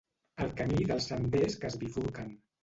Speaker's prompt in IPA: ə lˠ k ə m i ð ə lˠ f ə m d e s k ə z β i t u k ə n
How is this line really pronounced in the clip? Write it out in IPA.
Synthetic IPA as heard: ə lˠ k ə m i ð ə lˠ s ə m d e s k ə z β i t u k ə n